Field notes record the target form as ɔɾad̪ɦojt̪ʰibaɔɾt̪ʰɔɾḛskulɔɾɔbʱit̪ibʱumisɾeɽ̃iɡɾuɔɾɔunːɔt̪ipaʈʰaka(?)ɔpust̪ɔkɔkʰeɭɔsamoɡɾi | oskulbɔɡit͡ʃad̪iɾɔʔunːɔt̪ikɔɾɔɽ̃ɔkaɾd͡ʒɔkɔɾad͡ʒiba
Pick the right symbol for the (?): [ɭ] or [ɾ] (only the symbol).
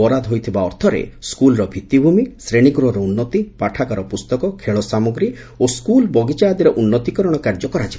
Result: ɾ